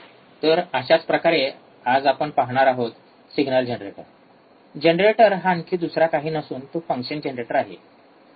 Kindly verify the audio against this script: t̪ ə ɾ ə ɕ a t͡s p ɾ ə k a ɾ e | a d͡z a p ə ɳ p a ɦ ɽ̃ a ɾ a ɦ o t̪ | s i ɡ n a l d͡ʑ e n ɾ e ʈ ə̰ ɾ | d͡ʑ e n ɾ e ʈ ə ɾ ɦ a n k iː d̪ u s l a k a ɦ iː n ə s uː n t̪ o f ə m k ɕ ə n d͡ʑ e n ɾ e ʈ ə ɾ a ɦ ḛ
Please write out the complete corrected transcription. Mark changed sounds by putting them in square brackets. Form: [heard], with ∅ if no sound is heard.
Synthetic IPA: t̪ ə ɾ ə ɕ a t͡s p ɾ ə k a ɾ e | a d͡z a p ə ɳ p a ɦ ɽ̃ a ɾ a ɦ o t̪ | s i ɡ n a l d͡ʑ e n ɾ e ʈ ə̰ ɾ | d͡ʑ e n ɾ e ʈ ə ɾ ɦ a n k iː d̪ u s [ɾ] a k a ɦ iː n ə s uː n t̪ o f ə [ŋ] k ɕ ə n d͡ʑ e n ɾ e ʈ ə ɾ a ɦ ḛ

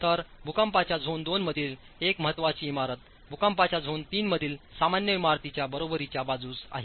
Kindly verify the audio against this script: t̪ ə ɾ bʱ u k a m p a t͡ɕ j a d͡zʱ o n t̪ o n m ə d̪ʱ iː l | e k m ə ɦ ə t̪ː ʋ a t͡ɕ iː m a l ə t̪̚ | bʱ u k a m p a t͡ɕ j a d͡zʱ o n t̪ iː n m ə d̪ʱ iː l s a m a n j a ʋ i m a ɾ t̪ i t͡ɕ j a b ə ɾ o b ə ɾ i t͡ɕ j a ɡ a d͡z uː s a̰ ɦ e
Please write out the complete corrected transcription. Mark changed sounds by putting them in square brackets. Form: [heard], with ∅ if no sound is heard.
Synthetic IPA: t̪ ə ɾ bʱ u k a m p a t͡ɕ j a d͡zʱ o n [d̪] o n m ə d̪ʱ iː l | e k m ə ɦ ə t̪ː ʋ a t͡ɕ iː m a [ɾ] ə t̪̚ | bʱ u k a m p a t͡ɕ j a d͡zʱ o n t̪ iː n m ə d̪ʱ iː l s a m a n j [ə] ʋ i m a ɾ t̪ i t͡ɕ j a b ə ɾ o b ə ɾ i t͡ɕ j a [b] a d͡z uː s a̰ ɦ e

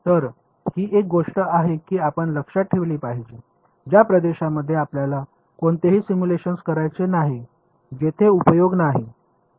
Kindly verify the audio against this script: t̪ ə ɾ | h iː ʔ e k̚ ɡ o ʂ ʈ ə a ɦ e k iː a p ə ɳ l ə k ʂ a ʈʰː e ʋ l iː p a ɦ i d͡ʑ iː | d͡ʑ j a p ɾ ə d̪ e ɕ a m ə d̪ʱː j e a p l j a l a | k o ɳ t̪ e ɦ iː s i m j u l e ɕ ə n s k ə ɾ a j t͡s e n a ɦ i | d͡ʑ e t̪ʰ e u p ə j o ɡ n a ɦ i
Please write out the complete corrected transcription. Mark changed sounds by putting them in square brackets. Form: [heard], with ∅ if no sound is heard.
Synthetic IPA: t̪ ə ɾ | h iː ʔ e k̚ ɡ o ʂ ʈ ə a ɦ e k iː a p ə ɳ l ə k ʂ a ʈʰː e ʋ l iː p a ɦ i d͡ʑ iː | d͡ʑ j a p ɾ ə d̪ e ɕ a m ə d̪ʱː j e a p l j a l a | k o ɳ t̪ e ɦ iː s i m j u l e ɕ ə n s k ə ɾ a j t͡s e n a ɦ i | d͡ʑ e t̪ʰ e u p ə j o ɡ n a ɦ i

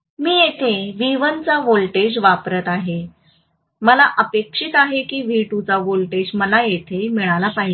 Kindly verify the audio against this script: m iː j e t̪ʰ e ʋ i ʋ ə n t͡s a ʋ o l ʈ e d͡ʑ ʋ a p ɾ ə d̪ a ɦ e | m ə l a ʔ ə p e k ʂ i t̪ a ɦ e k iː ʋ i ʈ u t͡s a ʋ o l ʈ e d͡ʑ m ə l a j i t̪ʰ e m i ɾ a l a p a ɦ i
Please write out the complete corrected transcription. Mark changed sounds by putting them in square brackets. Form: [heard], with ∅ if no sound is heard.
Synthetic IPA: m iː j e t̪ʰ e ʋ i ʋ ə n t͡s a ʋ o l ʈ e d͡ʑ ʋ a p ɾ ə [t̪] a ɦ e | m ə l a ʔ ə p e k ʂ i t̪ a ɦ e k iː ʋ i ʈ u t͡s a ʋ o l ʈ e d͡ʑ m ə l a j [e] t̪ʰ e m i [ɭ] a l a p a ɦ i

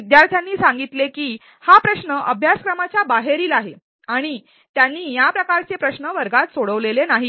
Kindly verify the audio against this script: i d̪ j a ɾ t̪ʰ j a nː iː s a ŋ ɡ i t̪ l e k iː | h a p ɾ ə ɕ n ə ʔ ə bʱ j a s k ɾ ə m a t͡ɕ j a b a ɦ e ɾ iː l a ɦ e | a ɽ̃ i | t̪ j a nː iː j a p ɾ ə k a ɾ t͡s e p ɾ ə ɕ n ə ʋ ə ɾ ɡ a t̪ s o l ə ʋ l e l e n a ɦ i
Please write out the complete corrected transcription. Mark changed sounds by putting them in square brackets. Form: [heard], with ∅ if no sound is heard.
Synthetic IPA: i d̪ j a ɾ t̪ʰ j a nː iː s a ŋ ɡ i t̪ l e k iː | h a p ɾ ə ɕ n ə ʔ ə bʱ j a s k ɾ ə m a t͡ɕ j a b a ɦ e ɾ iː l a ɦ e | a ɽ̃ i | t̪ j a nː iː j a p ɾ ə k a ɾ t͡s e p ɾ ə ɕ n ə ʋ ə ɾ ɡ a t̪ s o [ɽ] ə ʋ l e l e n a ɦ i

